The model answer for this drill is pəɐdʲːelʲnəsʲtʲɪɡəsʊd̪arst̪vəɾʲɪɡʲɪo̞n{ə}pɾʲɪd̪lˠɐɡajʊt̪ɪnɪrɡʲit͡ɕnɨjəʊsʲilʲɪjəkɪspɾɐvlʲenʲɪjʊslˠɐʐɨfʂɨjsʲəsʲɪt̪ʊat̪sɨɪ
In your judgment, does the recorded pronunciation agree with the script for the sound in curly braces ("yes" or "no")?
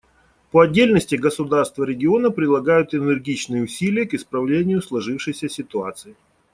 yes